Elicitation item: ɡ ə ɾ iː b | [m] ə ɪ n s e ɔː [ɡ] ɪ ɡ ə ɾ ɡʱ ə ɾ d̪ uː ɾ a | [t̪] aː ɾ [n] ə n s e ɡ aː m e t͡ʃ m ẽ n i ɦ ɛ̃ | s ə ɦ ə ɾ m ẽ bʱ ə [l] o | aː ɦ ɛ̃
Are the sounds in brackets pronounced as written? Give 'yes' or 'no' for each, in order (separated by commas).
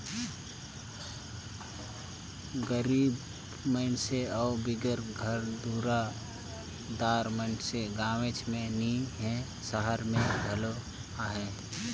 yes, no, no, no, yes